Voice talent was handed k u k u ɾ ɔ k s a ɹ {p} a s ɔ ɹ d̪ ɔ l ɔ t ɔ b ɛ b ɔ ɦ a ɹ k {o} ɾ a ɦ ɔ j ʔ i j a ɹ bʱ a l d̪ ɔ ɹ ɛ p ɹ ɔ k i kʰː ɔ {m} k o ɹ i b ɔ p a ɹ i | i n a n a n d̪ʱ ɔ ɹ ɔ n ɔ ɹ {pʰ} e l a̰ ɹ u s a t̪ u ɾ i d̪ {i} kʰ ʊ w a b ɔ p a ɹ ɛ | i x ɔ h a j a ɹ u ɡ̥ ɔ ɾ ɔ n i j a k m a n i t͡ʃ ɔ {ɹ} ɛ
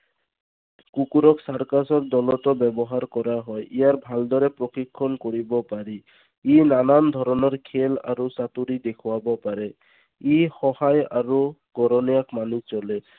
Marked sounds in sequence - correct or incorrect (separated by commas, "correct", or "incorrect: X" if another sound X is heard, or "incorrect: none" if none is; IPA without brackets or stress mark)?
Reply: incorrect: k, incorrect: ɔ, incorrect: n, incorrect: kʰ, incorrect: e, incorrect: l